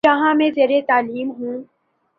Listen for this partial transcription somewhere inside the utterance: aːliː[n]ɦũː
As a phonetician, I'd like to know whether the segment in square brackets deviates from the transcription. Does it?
yes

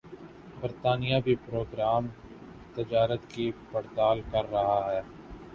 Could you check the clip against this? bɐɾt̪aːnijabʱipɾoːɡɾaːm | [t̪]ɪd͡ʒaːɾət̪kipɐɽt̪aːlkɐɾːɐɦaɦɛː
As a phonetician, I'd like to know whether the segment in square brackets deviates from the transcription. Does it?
no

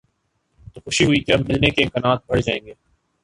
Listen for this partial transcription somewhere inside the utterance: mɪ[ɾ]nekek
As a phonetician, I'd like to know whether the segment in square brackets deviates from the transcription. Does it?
yes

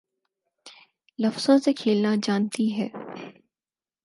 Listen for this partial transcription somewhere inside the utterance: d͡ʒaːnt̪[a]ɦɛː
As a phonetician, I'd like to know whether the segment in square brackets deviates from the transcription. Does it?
yes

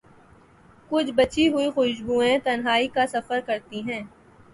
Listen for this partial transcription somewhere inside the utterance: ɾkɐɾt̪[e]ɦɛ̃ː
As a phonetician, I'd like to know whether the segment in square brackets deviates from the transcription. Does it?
yes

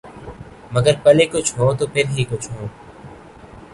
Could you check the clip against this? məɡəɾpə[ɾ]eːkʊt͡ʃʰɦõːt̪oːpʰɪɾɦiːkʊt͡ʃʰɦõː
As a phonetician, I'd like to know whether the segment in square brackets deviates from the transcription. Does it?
yes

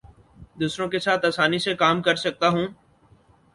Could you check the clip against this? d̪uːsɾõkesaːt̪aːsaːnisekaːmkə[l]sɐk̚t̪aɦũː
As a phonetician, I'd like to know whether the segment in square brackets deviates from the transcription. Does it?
yes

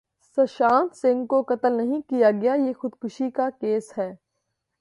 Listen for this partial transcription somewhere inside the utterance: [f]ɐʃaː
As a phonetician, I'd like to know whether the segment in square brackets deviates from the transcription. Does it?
yes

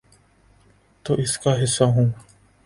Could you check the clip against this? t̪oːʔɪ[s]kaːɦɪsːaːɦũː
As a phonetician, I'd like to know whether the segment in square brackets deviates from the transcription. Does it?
no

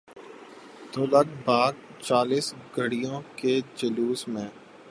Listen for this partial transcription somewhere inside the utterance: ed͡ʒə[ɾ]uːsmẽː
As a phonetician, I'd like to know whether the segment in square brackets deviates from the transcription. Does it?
yes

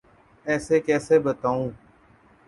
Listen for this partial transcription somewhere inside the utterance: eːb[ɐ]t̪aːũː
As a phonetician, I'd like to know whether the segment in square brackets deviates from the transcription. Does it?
yes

